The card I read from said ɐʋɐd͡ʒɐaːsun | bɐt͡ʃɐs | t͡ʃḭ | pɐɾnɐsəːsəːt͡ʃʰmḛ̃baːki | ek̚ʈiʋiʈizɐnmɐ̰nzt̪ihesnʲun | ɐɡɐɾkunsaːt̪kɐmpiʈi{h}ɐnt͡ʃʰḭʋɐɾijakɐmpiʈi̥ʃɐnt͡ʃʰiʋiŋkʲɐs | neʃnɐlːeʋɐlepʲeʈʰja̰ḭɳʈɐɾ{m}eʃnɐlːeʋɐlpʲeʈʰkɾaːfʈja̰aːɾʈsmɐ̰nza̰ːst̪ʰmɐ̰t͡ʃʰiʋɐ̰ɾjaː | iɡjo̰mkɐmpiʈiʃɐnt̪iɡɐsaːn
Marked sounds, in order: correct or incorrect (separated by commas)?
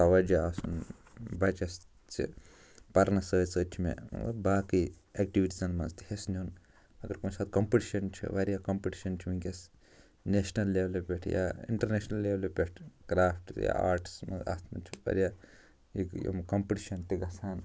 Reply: incorrect, incorrect